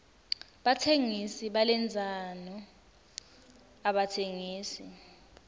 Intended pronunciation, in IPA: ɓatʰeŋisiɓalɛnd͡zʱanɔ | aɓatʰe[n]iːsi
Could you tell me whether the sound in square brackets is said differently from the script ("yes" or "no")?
yes